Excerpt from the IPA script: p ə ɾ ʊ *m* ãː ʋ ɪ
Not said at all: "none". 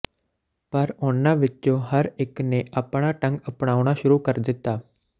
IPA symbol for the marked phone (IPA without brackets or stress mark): n